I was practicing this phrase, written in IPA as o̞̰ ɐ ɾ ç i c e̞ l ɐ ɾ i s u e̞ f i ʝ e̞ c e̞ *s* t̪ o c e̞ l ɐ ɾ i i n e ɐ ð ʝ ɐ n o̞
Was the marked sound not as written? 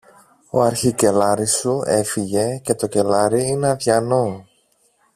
yes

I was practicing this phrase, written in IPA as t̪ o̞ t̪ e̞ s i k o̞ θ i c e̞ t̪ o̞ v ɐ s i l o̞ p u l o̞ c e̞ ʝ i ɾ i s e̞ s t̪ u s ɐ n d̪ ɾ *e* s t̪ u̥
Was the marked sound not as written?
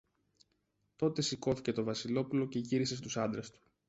no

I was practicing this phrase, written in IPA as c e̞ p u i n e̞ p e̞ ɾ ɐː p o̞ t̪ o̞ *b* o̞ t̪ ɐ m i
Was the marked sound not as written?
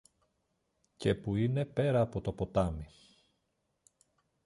yes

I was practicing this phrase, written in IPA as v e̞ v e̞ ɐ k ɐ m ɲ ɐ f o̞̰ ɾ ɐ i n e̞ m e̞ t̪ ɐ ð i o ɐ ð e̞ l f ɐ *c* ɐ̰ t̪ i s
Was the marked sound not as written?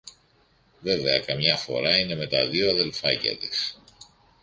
no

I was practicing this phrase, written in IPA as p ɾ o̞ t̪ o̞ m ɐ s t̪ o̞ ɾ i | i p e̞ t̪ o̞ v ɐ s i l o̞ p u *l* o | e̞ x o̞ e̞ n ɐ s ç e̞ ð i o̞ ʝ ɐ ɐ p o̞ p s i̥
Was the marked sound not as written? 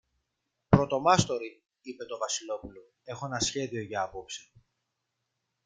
no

